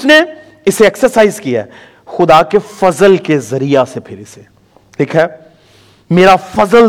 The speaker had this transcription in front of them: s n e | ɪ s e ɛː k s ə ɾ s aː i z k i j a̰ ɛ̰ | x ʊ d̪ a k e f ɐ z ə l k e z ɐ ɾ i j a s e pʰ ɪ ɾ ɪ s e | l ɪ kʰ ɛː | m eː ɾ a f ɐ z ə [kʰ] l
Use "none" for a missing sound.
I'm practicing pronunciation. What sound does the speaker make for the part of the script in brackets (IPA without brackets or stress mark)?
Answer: none